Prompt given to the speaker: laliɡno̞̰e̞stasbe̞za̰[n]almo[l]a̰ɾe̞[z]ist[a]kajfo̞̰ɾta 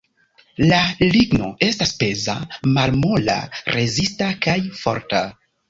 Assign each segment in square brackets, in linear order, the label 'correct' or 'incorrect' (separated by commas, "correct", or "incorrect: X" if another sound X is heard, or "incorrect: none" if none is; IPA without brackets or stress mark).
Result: incorrect: m, correct, correct, correct